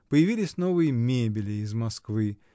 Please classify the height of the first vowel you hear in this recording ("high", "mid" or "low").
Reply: mid